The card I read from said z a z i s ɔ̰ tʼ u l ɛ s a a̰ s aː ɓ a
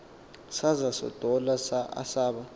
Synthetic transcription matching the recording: s a z a s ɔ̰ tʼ ɔ l a s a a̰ s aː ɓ a